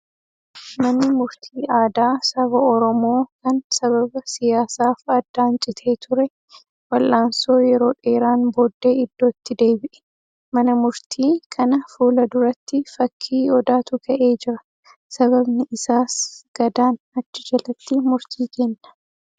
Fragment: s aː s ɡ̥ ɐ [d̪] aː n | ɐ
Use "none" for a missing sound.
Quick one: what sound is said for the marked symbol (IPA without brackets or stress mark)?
d̪